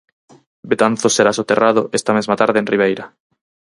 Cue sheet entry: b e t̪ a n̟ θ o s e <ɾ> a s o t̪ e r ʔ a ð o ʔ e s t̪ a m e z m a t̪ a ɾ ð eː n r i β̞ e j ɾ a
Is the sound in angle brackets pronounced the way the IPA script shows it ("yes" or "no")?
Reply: yes